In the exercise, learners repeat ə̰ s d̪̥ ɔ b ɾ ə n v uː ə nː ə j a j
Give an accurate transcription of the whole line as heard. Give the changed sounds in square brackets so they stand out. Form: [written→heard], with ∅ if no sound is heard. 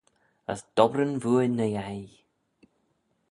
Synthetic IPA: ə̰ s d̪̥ ɔ b ɾ ə n v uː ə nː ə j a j